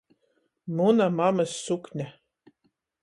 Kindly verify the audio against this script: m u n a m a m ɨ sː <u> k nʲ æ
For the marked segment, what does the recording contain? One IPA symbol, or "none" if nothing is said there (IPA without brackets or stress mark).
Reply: u